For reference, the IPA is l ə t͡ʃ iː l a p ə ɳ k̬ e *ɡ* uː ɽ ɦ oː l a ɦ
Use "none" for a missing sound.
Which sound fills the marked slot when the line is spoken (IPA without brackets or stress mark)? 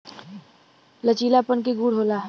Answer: ɡ